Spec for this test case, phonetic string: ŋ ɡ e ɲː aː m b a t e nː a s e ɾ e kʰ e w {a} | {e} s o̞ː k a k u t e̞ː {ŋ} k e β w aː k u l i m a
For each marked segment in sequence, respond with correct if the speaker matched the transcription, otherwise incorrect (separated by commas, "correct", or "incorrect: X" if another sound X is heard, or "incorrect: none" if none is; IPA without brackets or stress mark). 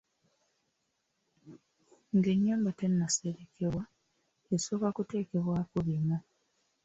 correct, correct, incorrect: none